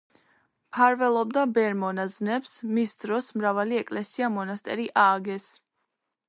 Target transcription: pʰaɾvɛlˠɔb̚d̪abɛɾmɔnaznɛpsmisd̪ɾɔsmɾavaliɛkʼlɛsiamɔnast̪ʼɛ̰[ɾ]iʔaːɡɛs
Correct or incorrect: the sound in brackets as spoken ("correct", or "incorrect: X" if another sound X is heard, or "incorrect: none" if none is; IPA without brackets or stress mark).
correct